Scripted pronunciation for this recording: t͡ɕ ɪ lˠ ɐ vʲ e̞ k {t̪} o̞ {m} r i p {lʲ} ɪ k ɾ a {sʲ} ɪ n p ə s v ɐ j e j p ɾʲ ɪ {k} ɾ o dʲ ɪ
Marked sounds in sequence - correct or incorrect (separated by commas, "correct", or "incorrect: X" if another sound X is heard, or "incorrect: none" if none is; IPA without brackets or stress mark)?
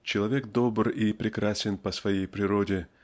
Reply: incorrect: d̪, incorrect: b, incorrect: ɾʲ, correct, incorrect: none